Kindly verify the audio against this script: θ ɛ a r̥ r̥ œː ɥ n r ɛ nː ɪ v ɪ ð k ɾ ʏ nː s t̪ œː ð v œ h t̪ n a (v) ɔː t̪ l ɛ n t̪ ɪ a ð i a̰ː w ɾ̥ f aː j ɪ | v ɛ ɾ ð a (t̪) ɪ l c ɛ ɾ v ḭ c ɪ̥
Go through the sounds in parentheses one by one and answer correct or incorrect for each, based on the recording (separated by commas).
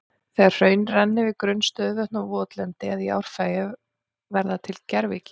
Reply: correct, incorrect